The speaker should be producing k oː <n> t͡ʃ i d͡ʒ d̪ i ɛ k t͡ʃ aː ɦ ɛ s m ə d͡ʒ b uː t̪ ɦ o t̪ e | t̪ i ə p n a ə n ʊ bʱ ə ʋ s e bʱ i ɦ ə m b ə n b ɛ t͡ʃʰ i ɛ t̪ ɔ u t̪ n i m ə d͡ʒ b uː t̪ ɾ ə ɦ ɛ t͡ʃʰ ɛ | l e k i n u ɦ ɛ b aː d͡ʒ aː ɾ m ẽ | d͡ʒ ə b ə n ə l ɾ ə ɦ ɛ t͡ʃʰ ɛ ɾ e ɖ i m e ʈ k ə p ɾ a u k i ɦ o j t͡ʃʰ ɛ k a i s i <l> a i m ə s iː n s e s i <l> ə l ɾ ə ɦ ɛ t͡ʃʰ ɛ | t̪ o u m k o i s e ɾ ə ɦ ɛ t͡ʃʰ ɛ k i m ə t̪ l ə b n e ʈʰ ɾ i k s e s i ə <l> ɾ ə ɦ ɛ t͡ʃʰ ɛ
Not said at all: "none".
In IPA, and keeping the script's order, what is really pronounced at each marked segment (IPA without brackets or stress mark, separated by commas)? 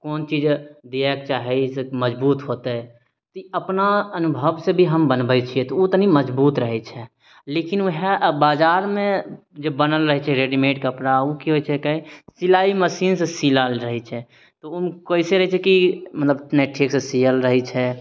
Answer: n, l, l, l